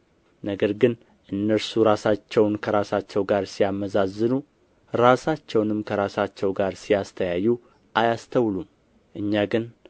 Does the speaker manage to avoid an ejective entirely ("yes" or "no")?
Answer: yes